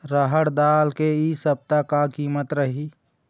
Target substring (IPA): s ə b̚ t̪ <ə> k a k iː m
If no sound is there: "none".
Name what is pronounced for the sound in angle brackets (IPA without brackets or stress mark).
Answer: a